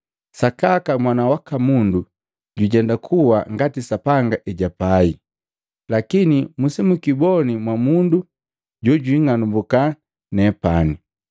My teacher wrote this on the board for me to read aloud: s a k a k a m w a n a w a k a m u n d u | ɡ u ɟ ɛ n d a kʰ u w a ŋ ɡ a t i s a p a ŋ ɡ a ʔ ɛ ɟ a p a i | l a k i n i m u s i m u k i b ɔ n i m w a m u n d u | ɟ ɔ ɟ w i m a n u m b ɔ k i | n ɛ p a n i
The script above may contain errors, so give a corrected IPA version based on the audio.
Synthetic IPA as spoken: s a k a k a m w a n a w a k a m u n d u | ɟ u ɟ ɛ n d a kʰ u w a ŋ ɡ a t i s a p a ŋ ɡ a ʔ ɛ ɟ a p a i | l a k i n i m u s i m u k i b ɔ n i m w a m u n d u | ɟ ɔ ɟ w i ŋ a n u m b u k a | n ɛ p a n i